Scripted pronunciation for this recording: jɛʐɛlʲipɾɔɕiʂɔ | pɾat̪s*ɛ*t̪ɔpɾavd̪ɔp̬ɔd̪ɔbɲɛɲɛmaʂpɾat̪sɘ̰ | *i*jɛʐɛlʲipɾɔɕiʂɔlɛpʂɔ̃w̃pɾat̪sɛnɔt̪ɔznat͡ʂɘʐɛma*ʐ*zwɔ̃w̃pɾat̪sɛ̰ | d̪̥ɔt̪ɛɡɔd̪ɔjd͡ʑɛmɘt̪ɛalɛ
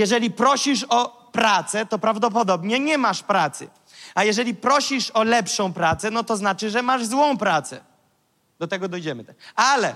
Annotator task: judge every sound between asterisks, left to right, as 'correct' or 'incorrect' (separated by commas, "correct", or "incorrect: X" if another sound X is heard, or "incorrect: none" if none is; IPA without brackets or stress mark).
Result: correct, incorrect: a, correct